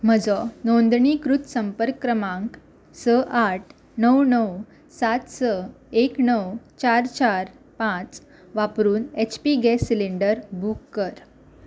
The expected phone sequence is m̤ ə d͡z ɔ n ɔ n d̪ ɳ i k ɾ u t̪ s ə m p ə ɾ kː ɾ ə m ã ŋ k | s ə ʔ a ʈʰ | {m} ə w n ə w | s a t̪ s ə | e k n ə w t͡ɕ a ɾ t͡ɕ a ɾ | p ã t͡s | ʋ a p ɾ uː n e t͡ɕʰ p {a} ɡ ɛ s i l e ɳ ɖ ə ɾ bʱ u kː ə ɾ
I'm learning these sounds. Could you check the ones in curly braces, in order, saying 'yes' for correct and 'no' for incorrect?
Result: no, no

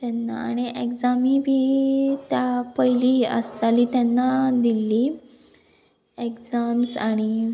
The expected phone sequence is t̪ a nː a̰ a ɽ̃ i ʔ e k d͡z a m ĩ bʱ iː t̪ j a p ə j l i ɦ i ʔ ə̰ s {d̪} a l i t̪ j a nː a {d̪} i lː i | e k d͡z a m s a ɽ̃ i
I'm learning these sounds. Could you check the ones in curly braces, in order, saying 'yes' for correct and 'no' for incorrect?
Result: no, yes

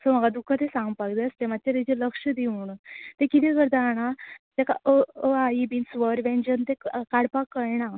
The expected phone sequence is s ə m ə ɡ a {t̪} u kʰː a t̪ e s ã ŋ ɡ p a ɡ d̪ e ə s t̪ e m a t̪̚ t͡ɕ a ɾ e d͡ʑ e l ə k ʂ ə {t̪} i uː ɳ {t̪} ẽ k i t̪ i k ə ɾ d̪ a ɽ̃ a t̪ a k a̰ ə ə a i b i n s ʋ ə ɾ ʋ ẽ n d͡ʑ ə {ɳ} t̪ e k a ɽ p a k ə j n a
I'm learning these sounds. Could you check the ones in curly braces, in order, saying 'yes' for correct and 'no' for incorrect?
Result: no, no, yes, no

